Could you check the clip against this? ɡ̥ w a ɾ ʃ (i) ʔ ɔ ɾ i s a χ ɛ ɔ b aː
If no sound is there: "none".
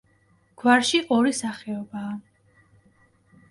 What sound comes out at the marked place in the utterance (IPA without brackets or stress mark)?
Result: i